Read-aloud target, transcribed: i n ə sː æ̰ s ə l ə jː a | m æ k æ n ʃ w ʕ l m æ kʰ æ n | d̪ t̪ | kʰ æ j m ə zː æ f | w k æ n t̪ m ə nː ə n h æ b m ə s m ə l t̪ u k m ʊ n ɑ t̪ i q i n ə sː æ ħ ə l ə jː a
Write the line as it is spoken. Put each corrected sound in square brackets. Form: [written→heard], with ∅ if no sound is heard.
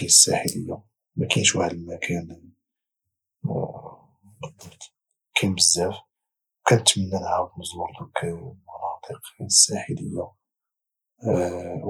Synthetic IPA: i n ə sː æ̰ [s→ħ] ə l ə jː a | m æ k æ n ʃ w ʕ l m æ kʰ æ n | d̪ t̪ | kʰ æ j m ə zː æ f | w k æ n t̪ m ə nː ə n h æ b m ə [s→z] m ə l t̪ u k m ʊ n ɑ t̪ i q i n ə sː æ ħ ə l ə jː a